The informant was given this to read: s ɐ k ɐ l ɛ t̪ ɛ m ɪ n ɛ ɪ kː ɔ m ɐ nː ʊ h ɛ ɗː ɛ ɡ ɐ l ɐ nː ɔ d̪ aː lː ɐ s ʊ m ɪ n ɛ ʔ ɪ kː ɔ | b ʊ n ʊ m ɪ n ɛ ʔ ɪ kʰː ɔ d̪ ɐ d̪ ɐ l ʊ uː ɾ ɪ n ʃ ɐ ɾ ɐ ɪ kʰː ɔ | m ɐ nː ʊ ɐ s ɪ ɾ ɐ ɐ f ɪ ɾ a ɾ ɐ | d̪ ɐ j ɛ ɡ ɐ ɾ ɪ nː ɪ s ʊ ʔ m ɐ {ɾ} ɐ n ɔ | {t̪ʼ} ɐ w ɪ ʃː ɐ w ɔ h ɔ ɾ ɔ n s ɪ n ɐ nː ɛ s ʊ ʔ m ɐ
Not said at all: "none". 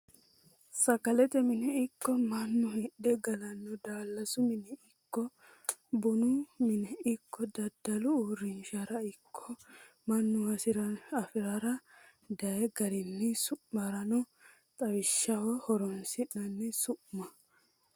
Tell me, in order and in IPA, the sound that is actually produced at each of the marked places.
ɾ, t̪ʼ

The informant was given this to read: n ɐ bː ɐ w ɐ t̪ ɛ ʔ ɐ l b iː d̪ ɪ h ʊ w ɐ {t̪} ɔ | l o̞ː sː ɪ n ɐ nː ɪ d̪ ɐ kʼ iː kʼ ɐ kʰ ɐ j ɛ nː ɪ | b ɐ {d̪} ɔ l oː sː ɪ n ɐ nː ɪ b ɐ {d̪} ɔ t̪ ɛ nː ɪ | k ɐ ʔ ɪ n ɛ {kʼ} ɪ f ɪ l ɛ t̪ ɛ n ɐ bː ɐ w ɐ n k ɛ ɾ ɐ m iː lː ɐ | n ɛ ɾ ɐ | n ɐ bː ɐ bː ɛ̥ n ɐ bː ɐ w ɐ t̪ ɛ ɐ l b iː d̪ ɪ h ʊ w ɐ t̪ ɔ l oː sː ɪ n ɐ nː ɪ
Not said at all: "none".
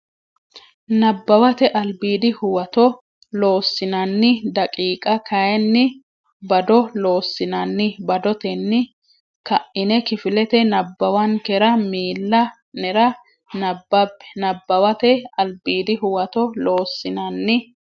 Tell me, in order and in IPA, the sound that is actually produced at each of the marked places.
t̪, d̪, d̪, k

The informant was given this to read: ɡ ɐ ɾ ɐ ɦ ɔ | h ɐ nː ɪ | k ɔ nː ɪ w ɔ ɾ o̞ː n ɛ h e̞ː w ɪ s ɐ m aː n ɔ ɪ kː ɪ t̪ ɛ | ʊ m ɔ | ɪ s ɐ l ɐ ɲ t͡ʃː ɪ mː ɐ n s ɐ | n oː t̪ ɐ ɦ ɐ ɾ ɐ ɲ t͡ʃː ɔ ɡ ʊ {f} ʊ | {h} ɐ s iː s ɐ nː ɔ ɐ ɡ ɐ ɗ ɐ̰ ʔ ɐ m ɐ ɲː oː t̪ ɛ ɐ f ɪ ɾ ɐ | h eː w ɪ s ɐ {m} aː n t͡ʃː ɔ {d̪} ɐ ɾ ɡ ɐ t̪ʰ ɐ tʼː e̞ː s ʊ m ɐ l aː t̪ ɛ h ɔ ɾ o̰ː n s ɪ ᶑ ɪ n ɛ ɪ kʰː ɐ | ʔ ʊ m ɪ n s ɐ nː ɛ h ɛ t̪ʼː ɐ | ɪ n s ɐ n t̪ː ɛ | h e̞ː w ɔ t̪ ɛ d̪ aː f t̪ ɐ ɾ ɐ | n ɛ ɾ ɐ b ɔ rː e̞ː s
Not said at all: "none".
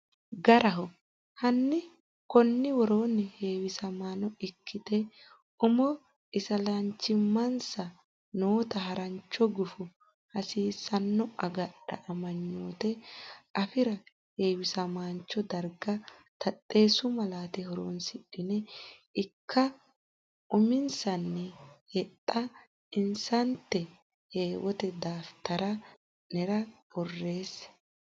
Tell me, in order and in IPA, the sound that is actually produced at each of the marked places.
f, h, m, d̪

